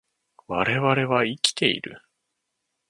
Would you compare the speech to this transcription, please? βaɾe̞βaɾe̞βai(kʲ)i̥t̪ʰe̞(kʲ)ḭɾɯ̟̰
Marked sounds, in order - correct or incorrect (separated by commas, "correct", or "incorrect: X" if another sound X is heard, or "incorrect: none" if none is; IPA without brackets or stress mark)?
correct, incorrect: none